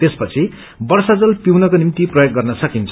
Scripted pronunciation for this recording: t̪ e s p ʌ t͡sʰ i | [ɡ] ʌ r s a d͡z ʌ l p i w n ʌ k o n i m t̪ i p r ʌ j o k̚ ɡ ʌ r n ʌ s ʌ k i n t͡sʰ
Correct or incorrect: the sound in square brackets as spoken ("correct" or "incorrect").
incorrect